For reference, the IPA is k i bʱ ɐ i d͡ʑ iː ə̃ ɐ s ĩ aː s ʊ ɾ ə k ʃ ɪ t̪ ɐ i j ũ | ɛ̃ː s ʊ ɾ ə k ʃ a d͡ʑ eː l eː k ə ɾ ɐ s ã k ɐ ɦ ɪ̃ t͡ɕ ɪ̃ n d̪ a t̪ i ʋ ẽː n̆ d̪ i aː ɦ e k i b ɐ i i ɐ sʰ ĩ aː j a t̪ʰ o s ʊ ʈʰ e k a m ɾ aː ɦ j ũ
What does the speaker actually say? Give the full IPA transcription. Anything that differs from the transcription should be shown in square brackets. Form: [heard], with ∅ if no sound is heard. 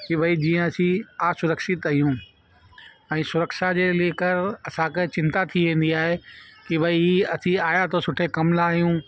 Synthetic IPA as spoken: k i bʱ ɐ i d͡ʑ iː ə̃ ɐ s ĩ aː s ʊ ɾ ə k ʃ ɪ t̪ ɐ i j ũ | ɛ̃ː s ʊ ɾ ə k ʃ a d͡ʑ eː l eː k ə ɾ ɐ s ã k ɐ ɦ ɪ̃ t͡ɕ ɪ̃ n [t̪] a [t̪ʰ] i ʋ ẽː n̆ d̪ i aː ɦ e k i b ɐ i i ɐ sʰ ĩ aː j a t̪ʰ o s ʊ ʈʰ e k [ɐ] m [l] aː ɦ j ũ